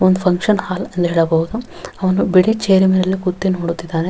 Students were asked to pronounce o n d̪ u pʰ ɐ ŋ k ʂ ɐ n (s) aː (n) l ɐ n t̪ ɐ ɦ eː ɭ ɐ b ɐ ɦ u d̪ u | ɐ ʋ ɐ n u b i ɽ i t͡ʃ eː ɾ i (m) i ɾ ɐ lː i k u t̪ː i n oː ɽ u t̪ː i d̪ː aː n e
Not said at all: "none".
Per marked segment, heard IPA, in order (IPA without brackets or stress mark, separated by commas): h, none, m